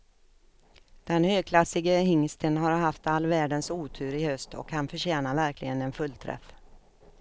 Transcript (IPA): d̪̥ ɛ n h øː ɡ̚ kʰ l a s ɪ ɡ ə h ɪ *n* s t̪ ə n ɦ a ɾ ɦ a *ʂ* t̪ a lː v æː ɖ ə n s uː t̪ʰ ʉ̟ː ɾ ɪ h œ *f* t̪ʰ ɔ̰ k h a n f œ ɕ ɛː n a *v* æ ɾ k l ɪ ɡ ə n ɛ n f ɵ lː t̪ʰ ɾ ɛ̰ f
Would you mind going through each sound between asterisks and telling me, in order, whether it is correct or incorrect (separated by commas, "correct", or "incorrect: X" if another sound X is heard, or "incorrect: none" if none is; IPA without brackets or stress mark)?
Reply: incorrect: ŋ, incorrect: f, incorrect: s, correct